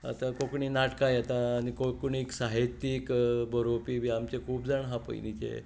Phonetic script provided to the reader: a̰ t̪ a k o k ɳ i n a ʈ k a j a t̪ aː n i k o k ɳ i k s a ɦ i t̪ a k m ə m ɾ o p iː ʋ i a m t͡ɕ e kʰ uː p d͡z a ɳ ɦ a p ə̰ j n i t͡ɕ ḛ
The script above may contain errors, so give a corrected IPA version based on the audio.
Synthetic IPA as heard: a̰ t̪ a k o k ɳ i n a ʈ k a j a t̪ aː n i k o k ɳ i k s a ɦ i t̪ i k b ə ɾ o p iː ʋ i a m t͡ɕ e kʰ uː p d͡z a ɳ ɦ a p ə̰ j n i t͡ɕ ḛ